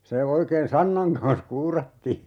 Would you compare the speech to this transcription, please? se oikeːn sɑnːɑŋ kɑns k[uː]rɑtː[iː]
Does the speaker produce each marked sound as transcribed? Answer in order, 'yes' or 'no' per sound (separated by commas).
yes, yes